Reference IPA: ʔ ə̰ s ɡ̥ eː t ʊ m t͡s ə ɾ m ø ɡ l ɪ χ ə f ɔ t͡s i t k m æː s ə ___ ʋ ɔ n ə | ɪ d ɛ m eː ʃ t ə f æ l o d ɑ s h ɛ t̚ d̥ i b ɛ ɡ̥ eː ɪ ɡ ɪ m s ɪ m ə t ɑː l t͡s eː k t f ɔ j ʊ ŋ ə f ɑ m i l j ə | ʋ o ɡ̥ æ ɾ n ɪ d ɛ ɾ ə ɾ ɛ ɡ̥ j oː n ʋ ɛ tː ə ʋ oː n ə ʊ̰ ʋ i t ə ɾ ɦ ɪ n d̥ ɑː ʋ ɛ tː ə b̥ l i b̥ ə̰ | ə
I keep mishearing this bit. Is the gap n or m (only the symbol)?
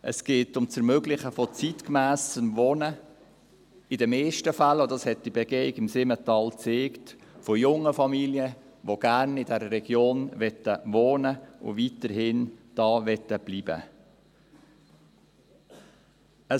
m